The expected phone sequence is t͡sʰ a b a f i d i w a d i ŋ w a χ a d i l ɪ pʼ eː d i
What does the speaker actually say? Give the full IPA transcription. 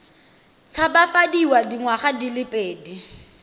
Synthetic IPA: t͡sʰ a b a f a d i w a d i ŋ w a χ a d i l ɪ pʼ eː d i